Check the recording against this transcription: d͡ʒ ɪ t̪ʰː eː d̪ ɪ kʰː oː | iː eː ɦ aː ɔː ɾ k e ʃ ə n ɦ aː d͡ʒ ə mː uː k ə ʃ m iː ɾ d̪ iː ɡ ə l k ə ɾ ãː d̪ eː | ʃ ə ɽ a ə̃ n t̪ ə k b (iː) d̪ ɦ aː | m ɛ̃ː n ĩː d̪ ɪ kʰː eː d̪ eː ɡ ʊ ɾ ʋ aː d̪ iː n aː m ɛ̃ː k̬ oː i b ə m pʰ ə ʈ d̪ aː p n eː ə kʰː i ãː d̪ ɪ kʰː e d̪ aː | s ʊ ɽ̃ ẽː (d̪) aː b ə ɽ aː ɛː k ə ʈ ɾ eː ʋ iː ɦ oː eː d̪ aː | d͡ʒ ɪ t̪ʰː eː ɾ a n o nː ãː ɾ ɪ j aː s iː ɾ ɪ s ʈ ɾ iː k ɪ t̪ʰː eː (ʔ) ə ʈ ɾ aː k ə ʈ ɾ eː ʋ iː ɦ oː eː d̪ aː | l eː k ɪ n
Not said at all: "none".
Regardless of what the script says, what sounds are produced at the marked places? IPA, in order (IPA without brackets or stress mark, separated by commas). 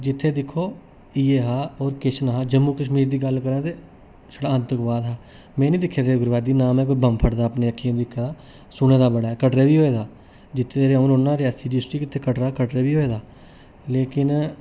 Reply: aː, d̪, k